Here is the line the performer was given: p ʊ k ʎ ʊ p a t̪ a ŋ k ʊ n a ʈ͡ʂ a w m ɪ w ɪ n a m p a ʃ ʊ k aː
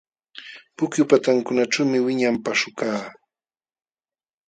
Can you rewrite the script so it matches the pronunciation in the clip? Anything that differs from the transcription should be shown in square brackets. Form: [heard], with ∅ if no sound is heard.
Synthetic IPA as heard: p ʊ k [j] ʊ p a t̪ a ŋ k ʊ n a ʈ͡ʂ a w m ɪ w ɪ [ɲ] a m p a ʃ ʊ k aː